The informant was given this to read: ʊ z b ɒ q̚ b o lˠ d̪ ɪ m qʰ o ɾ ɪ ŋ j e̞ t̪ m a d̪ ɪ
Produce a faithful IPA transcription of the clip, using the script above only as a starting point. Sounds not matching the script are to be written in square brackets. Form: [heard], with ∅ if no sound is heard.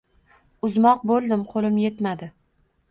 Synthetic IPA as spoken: ʊ z [m] ɒ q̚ b o lˠ d̪ ɪ m qʰ o [l] ɪ [m] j e̞ t̪ m a d̪ ɪ